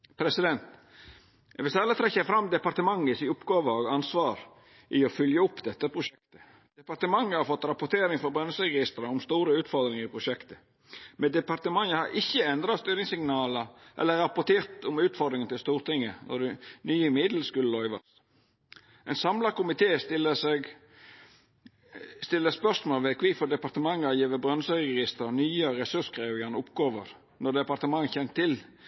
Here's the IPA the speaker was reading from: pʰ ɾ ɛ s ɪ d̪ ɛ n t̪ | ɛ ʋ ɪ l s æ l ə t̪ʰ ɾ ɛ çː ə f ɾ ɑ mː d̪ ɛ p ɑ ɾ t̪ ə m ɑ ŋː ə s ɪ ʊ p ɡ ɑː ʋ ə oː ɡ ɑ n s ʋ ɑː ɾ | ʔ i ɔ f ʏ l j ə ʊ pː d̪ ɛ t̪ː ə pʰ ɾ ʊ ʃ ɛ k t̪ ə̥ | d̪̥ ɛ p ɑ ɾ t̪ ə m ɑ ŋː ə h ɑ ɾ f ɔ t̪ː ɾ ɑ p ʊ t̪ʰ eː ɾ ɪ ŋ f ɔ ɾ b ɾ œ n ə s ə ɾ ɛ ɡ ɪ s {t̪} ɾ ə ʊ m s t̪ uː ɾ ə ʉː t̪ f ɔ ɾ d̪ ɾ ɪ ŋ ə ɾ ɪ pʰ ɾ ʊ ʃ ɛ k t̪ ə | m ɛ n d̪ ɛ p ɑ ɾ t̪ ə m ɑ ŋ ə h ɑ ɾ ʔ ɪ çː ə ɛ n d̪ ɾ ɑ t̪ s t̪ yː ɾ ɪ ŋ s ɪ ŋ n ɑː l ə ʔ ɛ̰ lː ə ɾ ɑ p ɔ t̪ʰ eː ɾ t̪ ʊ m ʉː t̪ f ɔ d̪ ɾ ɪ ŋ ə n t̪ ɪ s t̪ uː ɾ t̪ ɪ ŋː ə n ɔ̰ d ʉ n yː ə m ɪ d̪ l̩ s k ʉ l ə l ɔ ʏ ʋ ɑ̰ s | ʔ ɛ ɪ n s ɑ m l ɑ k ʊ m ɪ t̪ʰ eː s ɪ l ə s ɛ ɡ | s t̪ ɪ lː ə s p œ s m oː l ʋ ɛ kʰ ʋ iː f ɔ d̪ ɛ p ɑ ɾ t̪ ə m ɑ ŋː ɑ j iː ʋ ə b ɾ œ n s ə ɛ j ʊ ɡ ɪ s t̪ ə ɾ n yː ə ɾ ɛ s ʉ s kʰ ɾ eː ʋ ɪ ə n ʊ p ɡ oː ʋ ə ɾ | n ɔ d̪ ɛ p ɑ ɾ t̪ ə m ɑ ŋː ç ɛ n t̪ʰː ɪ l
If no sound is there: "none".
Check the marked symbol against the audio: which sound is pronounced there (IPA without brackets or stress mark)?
t̪